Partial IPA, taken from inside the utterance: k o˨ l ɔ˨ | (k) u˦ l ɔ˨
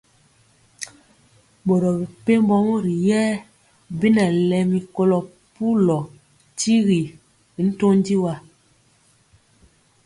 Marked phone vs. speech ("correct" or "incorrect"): incorrect